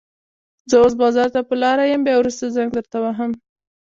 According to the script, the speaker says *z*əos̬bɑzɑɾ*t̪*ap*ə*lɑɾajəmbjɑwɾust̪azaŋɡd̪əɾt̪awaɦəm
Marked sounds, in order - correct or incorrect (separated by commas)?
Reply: correct, correct, correct